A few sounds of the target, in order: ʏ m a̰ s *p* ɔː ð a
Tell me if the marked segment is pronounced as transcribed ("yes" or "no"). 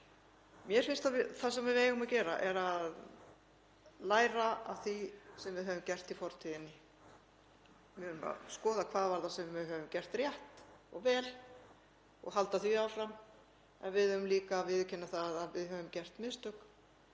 no